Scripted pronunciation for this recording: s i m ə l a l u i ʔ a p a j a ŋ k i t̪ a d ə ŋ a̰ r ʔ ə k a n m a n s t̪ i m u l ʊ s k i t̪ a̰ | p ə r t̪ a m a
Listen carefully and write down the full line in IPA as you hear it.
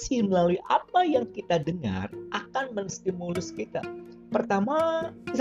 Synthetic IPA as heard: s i m ə l a l u i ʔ a p a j a ŋ k i t̪ a d ə ŋ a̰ r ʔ a k a n m ə n s t̪ i m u l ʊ s k i t̪ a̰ | p ə r t̪ a m a